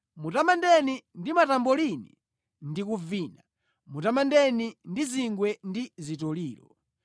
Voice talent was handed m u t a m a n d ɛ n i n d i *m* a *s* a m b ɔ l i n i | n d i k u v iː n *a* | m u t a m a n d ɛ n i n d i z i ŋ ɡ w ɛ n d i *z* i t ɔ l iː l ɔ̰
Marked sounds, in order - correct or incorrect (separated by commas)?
correct, incorrect, correct, correct